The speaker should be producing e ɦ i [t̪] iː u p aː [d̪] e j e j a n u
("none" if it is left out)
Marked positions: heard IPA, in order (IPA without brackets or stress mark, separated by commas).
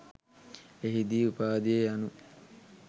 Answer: d̪, d̪